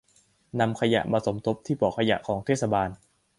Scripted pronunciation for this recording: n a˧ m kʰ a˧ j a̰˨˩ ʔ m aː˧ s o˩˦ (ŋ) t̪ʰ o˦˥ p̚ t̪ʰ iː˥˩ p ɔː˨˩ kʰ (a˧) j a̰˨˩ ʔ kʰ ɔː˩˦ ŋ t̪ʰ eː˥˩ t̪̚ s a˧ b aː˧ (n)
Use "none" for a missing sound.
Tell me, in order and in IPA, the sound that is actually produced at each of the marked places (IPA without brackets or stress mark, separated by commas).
m, a˧, n